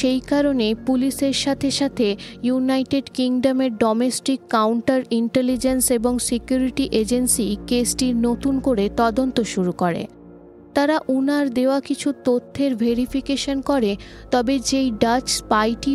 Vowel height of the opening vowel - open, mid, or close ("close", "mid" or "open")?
mid